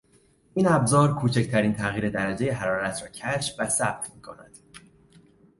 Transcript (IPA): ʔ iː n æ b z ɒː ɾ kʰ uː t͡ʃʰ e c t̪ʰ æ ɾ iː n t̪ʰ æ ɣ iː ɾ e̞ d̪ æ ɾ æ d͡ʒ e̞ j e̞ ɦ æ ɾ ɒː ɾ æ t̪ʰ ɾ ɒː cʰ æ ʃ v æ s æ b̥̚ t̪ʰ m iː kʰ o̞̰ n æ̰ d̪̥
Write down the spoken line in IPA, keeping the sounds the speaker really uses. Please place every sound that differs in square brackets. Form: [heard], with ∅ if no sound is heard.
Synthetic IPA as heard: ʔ iː n æ b z ɒː ɾ kʰ uː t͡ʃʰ e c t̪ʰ æ ɾ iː n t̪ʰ æ ɣ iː ɾ e̞ d̪ æ ɾ æ d͡ʒ e̞ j e̞ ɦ æ ɾ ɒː ɾ æ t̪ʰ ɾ ɒː cʰ æ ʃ v æ s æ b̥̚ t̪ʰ m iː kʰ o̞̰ n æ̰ d̪̥